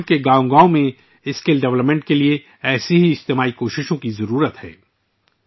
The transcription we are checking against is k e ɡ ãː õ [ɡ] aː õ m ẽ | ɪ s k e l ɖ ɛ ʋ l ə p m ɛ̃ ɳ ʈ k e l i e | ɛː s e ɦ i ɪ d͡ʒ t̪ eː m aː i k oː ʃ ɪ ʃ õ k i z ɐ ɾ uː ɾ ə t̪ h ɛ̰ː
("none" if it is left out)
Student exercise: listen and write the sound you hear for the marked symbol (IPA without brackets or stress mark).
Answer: ɡ